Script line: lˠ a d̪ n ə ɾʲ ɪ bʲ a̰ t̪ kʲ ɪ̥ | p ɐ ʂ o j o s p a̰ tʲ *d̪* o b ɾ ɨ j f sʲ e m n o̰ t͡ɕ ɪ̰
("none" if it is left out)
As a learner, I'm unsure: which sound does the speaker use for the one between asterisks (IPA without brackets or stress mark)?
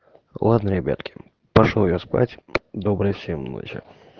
d̪